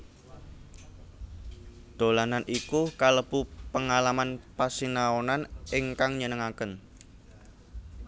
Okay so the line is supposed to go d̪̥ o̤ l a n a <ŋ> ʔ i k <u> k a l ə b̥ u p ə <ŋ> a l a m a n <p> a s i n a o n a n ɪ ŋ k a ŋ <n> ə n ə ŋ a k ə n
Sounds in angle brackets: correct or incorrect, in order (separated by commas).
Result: incorrect, correct, correct, correct, incorrect